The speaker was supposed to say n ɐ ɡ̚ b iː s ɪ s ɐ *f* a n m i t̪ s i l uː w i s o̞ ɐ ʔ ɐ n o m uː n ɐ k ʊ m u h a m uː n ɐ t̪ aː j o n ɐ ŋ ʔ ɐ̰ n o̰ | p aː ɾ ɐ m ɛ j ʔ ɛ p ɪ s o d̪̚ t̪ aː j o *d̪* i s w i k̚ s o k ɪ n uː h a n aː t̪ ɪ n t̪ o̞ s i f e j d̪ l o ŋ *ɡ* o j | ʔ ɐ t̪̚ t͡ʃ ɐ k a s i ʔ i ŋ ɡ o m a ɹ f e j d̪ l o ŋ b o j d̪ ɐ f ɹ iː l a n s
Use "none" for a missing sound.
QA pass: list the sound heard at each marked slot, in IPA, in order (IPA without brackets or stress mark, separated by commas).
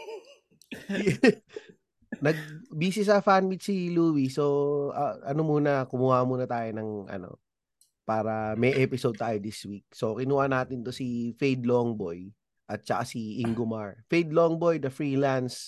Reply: f, d̪, b